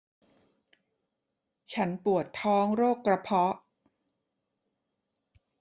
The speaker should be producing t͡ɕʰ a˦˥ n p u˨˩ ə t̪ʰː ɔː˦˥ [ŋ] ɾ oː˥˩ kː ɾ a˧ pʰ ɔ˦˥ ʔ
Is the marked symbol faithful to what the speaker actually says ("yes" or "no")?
yes